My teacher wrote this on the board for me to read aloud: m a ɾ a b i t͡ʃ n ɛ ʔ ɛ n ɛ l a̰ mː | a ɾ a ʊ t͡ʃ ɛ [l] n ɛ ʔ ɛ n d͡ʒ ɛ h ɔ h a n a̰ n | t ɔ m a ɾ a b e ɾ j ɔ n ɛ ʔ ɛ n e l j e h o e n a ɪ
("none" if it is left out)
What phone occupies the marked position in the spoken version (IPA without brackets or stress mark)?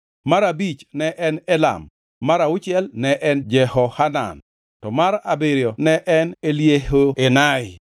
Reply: l